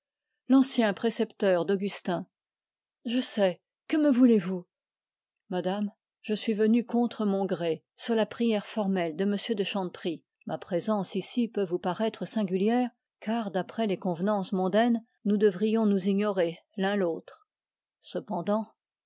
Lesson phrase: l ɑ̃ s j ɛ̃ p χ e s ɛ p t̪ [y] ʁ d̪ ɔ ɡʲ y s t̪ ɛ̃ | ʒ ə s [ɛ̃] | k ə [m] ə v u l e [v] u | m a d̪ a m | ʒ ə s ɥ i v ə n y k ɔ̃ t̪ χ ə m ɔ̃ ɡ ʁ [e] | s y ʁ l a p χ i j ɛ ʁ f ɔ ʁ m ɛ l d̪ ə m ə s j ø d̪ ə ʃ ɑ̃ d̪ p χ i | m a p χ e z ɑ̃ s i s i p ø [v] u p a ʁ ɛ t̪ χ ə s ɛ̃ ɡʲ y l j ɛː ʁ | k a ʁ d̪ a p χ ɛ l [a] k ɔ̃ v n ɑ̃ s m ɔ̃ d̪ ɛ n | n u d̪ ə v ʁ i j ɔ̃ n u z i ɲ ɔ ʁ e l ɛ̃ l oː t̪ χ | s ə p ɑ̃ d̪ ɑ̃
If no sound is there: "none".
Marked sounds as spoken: œ, ɛ, m, v, e, v, e

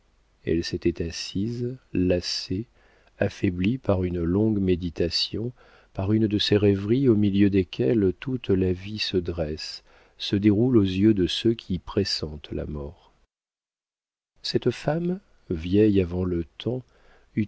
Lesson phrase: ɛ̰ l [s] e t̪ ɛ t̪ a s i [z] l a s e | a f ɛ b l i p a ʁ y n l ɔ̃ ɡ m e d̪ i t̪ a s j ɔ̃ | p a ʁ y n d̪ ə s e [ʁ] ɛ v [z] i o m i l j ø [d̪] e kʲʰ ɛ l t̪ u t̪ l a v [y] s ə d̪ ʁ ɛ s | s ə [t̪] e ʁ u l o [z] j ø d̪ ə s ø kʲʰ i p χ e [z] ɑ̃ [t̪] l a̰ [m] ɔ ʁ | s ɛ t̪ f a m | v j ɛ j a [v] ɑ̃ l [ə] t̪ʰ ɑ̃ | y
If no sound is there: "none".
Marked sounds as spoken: s, z, ʁ, ʁ, d̪, i, d̪, z, s, t̪, m, v, ə

